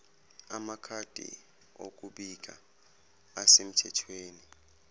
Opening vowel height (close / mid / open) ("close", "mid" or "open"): open